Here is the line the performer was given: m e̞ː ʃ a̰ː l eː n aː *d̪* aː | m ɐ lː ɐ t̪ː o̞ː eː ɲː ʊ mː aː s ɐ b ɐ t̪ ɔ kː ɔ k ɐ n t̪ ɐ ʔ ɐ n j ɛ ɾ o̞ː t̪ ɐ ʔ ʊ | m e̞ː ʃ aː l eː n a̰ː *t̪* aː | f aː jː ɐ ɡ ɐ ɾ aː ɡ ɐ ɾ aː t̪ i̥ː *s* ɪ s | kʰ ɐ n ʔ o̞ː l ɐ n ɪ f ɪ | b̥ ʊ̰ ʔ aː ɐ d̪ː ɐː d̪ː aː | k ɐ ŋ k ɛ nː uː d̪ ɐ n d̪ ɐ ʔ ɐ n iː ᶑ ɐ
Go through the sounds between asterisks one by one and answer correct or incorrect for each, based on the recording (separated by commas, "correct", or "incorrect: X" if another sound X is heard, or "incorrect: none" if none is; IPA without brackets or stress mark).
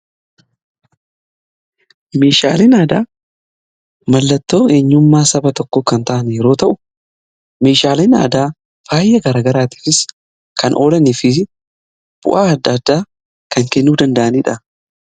correct, incorrect: d̪, incorrect: f